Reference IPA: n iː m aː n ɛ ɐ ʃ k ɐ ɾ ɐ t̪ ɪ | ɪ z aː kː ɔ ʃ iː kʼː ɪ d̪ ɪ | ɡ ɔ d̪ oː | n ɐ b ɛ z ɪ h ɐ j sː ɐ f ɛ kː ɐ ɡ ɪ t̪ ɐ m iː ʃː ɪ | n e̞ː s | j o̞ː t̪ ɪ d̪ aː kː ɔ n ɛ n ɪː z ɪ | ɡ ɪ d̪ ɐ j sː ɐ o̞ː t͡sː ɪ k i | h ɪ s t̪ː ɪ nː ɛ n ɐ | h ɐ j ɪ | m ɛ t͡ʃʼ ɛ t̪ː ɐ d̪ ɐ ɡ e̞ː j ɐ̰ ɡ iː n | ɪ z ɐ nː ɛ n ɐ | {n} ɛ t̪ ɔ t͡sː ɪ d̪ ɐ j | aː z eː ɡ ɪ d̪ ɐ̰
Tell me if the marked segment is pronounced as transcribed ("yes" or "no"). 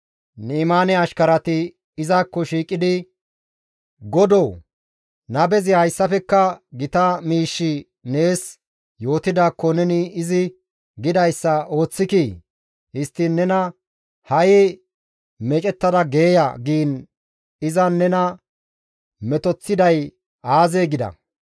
no